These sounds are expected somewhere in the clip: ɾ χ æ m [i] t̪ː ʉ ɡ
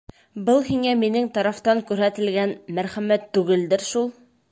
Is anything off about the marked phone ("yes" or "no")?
yes